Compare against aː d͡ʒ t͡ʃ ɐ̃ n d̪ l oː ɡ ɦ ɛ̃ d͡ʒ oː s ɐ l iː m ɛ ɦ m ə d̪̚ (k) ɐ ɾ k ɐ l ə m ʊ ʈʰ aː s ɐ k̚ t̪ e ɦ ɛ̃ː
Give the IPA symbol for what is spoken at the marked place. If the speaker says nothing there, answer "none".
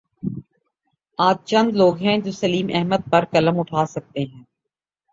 p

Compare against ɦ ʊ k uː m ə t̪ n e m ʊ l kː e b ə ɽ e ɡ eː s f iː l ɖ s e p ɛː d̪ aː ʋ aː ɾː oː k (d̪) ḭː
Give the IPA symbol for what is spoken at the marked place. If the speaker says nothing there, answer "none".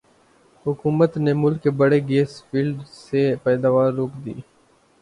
d̪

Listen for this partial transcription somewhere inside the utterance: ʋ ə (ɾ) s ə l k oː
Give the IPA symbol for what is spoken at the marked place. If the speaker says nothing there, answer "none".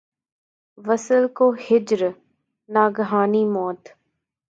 none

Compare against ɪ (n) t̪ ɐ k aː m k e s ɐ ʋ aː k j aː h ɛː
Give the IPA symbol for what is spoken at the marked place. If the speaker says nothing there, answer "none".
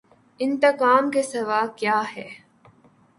n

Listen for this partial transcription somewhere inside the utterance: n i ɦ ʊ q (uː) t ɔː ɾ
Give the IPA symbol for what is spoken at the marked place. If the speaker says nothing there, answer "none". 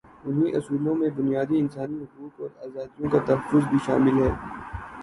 uː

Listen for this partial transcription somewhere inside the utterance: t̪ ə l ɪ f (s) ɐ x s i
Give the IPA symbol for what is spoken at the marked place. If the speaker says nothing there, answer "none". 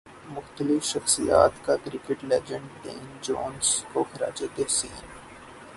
ʃ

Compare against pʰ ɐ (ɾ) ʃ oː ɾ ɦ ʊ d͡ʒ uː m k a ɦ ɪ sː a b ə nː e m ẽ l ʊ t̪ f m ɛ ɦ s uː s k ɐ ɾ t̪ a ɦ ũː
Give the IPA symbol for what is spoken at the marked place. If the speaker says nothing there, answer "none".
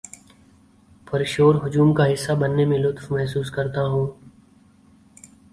ɾ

